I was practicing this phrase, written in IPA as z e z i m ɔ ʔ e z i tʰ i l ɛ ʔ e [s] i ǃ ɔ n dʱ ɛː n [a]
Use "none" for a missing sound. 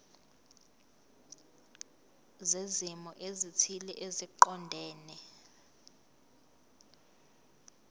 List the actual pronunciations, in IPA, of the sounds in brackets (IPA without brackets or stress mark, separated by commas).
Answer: z, ɛ